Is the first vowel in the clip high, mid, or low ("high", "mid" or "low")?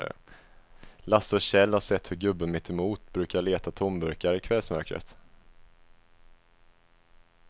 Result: low